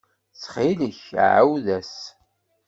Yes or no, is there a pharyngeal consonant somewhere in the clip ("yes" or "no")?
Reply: yes